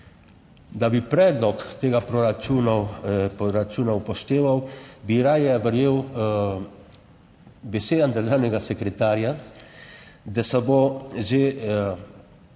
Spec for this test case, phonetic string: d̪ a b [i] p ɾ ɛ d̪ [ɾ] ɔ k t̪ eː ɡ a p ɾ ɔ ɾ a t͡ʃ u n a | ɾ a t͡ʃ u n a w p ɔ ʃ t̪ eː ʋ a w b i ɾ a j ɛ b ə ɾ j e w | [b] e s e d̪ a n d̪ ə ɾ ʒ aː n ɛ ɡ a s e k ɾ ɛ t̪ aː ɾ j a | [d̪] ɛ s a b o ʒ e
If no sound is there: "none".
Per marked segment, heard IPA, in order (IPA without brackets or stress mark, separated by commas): i, l, b, d̪